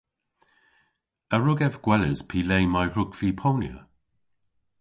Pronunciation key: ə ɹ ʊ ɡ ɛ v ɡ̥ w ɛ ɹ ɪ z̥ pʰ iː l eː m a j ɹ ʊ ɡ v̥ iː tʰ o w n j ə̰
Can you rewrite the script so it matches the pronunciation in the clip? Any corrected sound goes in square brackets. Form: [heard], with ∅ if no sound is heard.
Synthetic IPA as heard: ə ɹ ʊ ɡ ɛ v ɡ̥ w ɛ [l] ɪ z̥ pʰ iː l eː m a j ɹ ʊ ɡ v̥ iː [pʰ] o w n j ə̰